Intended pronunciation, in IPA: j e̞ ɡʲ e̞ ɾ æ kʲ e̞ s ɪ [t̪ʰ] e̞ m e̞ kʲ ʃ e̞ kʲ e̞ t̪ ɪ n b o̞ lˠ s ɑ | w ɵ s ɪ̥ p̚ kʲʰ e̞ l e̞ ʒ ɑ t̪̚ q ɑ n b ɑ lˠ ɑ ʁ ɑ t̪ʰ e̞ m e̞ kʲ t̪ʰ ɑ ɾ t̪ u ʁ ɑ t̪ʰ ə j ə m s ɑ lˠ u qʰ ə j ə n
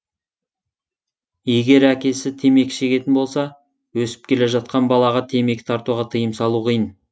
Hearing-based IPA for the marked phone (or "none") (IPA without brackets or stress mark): t̪ʰ